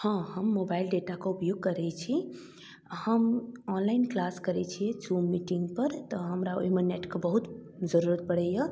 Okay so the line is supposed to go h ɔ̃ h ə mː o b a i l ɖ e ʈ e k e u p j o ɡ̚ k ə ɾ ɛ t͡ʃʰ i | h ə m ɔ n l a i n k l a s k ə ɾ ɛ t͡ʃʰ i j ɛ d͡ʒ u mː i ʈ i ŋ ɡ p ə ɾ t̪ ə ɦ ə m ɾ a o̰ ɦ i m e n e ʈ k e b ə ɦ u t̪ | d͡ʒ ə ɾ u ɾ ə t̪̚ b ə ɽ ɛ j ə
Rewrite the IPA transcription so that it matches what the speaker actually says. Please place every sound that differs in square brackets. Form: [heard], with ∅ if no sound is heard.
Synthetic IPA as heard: h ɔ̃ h ə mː o b a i l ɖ e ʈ [a] k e u p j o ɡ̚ k ə ɾ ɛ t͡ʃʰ i | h ə m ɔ n l a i n k l a s k ə ɾ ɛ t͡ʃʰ i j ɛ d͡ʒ u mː i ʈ i ŋ ɡ p ə ɾ t̪ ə ɦ ə m ɾ a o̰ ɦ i m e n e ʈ k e b ə ɦ u t̪ | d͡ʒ ə ɾ u ɾ ə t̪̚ b ə ɽ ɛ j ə